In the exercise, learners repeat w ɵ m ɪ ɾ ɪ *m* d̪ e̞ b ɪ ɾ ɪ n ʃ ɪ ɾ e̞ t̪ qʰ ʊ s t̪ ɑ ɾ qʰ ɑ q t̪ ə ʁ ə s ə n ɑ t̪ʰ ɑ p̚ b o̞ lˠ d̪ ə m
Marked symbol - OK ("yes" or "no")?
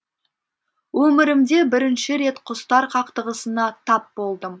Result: yes